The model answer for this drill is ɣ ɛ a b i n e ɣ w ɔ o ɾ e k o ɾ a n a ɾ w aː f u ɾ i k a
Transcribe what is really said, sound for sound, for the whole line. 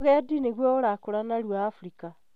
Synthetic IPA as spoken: ɣ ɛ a d i n e ɣ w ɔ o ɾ a k o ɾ a n a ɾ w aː f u ɾ i k a